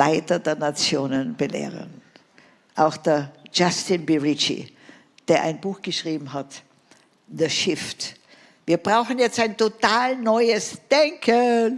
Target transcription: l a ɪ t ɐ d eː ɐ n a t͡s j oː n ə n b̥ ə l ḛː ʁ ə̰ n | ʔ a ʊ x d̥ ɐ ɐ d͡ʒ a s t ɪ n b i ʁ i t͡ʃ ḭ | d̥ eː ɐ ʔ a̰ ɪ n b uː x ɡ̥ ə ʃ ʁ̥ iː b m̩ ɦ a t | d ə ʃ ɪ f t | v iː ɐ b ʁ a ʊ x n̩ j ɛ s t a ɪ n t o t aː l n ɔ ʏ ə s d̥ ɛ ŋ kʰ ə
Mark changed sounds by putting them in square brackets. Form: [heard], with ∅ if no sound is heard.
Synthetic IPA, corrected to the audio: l a ɪ t ɐ d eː ɐ n a t͡s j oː n ə n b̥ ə l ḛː ʁ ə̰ n | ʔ a ʊ x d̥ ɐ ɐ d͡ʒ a s t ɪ n b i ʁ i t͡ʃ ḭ | d̥ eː ɐ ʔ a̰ ɪ n b uː x ɡ̥ ə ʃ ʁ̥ iː b m̩ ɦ a t | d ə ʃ ɪ f t | v iː ɐ b ʁ a ʊ x n̩ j ɛ [t͡s] t a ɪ n t o t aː l n ɔ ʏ ə s d̥ ɛ ŋ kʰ ə